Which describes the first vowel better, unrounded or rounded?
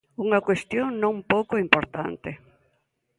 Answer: rounded